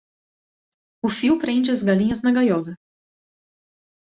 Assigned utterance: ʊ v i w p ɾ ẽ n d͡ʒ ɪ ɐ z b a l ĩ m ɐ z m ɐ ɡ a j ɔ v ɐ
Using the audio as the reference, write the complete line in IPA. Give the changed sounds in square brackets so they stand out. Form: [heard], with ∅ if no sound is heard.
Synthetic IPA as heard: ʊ [f] i w p ɾ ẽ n d͡ʒ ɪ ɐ z [ɡ] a l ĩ [ɲ] ɐ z [n] ɐ ɡ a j ɔ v ɐ